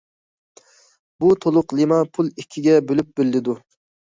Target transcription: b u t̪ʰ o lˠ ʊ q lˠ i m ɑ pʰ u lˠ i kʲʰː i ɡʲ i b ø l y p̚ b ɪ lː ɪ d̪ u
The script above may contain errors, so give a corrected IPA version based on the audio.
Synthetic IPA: b u t̪ʰ o lˠ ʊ q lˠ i m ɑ pʰ u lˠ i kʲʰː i ɡʲ ɛ b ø l y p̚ b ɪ lː ɪ d̪ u